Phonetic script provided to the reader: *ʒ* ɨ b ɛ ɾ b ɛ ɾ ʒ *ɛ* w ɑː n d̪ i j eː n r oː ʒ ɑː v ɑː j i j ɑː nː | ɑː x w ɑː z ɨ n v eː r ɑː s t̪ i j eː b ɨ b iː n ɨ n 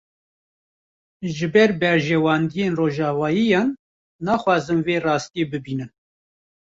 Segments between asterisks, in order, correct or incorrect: correct, correct

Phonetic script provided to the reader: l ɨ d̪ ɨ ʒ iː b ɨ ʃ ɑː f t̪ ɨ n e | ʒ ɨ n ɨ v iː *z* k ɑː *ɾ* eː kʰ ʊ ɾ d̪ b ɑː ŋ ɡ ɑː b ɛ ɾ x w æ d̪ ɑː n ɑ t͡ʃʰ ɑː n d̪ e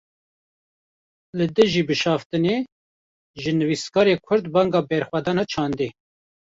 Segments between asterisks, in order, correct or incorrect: incorrect: s, correct

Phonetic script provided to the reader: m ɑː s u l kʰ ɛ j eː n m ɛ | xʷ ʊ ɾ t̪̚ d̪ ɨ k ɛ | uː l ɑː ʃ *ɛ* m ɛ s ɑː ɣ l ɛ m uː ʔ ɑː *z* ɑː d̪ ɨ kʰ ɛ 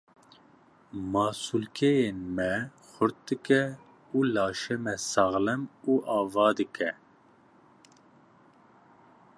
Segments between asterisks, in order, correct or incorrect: correct, incorrect: v

